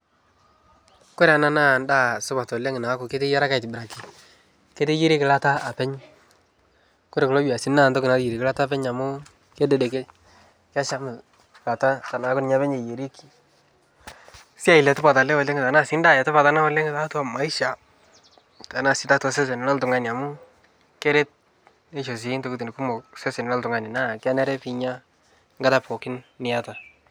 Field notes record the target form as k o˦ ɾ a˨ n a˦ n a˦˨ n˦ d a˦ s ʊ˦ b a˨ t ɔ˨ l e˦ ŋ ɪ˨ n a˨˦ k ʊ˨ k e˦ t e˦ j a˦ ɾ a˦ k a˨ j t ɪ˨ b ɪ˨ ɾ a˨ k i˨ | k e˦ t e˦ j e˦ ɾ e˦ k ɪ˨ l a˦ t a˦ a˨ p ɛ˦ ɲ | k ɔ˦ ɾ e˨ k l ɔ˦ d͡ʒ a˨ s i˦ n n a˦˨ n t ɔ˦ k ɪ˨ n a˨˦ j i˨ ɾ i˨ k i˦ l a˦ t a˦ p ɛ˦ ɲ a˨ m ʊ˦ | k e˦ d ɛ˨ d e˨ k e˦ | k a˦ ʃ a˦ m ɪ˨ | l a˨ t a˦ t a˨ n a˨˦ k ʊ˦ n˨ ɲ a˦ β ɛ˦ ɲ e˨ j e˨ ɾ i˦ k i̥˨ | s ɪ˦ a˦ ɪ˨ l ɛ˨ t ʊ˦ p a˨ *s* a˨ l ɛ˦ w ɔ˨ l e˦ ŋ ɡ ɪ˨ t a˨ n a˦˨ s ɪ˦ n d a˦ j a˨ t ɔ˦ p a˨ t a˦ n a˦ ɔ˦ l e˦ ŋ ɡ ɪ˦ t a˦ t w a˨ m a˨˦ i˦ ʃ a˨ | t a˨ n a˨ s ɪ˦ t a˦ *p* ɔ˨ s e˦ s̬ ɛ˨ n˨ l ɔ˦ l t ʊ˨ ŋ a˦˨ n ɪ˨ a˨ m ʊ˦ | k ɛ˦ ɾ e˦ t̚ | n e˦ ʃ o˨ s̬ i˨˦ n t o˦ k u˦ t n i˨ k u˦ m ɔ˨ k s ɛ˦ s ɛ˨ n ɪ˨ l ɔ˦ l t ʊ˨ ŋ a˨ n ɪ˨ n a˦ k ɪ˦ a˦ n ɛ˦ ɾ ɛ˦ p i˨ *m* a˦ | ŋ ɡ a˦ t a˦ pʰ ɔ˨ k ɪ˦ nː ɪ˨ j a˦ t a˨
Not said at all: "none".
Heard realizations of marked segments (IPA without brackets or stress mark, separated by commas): t, t, ɲ